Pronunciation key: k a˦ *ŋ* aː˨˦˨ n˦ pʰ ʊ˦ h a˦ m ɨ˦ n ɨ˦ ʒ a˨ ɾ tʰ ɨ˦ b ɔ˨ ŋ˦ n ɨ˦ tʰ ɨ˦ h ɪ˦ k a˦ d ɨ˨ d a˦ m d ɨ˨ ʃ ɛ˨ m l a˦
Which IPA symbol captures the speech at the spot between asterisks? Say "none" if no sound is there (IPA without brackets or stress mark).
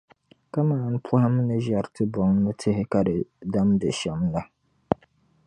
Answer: m